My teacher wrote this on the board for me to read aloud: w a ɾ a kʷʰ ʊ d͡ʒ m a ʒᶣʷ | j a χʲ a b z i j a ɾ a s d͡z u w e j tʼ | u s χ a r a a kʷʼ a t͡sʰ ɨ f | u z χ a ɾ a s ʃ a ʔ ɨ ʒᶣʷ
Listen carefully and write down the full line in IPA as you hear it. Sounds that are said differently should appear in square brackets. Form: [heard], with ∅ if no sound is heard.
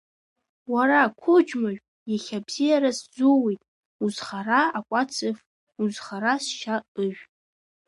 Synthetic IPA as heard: w a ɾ a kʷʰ ʊ d͡ʒ m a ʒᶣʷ | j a χʲ a b z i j a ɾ a s d͡z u w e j tʼ | u [z] χ a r a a kʷʼ a t͡sʰ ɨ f | u z χ a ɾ a s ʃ a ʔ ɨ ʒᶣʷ

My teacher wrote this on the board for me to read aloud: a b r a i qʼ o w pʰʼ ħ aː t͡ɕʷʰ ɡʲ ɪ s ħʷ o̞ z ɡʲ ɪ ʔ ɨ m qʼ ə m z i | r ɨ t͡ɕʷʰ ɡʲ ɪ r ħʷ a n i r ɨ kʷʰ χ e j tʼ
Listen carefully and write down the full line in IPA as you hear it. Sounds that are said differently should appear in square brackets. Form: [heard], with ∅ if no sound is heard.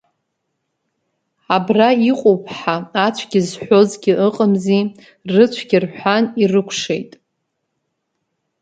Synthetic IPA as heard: a b r a i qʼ o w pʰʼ ħ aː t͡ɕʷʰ ɡʲ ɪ [z] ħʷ o̞ z ɡʲ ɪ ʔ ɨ [∅] qʼ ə m z i | r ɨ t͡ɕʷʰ ɡʲ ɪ r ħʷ a n i r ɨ kʷʰ [ʂ] e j tʼ

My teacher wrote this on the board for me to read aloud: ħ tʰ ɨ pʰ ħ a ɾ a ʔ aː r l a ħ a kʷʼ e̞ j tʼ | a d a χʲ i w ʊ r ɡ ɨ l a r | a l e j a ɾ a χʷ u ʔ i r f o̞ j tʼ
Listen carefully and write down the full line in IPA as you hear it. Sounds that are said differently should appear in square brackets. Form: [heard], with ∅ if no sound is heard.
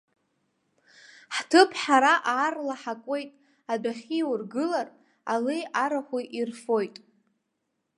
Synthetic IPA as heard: ħ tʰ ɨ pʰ ħ a ɾ a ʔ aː r l a ħ a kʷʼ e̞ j tʼ | a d a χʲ i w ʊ r ɡ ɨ l a r | a l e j a ɾ a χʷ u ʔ i r f o̞ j tʼ

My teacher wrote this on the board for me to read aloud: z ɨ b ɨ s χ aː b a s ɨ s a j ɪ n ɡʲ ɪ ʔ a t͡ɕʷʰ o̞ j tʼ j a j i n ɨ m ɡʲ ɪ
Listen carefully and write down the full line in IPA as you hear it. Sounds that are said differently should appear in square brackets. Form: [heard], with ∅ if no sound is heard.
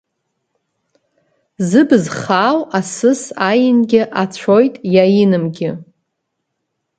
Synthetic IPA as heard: z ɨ b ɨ [z] χ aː [w] a s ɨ s a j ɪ n ɡʲ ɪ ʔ a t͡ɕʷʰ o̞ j tʼ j a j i n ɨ m ɡʲ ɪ

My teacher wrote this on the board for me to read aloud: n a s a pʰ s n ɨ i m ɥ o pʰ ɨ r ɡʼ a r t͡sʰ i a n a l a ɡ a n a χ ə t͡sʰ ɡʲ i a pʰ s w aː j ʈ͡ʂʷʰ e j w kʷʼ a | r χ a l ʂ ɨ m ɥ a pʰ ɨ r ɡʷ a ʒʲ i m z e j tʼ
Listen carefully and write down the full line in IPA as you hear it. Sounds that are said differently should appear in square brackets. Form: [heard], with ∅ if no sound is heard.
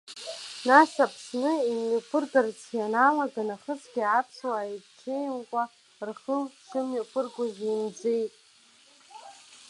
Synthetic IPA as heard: n a s a pʰ s n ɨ i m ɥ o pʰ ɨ r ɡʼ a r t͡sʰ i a n a l a ɡ a n a χ ə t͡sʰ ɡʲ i a pʰ s w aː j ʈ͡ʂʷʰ e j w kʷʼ a | r χ [ə] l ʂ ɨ m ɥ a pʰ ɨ r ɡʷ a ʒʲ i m [d͡z] e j tʼ

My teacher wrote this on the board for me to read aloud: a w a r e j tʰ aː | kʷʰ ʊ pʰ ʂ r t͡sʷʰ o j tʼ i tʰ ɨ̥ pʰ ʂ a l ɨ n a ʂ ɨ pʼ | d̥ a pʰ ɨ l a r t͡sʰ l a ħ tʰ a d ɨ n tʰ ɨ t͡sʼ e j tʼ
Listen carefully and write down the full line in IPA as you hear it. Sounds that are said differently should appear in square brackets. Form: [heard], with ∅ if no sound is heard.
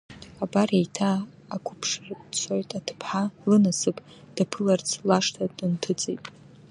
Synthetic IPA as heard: a [b] a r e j tʰ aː | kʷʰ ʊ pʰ ʂ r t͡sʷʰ o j tʼ [a] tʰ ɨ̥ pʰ [ħ] a l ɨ n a [s] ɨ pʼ | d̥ a pʰ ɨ l a r t͡sʰ l a [ʂ] tʰ a d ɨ n tʰ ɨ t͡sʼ e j tʼ

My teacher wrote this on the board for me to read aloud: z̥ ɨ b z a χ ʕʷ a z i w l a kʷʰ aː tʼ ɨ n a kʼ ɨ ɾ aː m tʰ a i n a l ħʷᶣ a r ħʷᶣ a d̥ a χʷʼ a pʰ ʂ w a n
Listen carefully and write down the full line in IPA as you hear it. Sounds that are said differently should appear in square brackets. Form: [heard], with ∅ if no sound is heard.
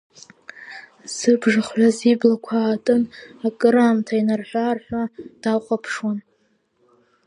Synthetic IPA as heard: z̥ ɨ b [ʐ] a χ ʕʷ a z i [b] l a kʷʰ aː tʼ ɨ n a kʼ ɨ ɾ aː m tʰ a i n a [r] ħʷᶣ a r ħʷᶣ a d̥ a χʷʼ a pʰ ʂ w a n

